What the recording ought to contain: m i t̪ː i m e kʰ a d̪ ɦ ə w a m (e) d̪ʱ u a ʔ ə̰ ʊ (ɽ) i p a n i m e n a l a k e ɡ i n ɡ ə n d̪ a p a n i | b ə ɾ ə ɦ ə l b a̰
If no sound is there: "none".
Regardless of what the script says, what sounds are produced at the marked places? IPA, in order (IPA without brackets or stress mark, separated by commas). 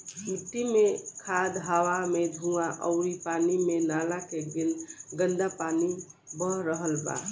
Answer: e, ɾ